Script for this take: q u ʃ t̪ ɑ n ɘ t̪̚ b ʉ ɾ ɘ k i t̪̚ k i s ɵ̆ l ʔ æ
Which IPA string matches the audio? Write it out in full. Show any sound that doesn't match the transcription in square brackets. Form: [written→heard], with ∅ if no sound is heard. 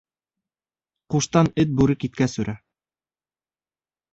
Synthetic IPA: q u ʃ t̪ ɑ n ɘ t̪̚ b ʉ ɾ ɘ k i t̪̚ k [i→æ] s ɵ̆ [l→ɾ] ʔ æ